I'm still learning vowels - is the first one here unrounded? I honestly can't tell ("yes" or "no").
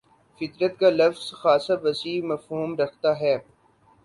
yes